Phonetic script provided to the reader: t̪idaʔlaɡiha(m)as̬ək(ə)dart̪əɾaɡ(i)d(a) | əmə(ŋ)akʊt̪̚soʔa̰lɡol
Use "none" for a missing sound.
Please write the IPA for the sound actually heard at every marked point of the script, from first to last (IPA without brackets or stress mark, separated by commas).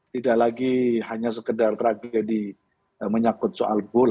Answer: ɲ, ə, a, i, ɲ